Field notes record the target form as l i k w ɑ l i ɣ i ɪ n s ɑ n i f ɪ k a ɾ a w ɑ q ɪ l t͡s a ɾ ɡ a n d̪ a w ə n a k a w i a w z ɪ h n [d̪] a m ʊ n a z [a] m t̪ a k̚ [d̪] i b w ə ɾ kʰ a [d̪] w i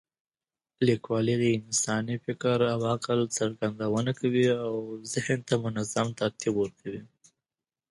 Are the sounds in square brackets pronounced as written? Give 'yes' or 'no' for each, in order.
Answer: no, yes, no, no

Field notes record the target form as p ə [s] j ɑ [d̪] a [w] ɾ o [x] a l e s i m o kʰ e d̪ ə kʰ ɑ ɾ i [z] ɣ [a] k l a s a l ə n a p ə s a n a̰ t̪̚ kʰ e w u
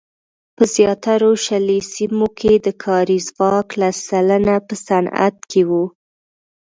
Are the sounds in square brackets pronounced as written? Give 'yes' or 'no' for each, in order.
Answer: no, no, no, no, yes, no

